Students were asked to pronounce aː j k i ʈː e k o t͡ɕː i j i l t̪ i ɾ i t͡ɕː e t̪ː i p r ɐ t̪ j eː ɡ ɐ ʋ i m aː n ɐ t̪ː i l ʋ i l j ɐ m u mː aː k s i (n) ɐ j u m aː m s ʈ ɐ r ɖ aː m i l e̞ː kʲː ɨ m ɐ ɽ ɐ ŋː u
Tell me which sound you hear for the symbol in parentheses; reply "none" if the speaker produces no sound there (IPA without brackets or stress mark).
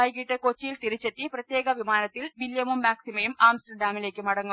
m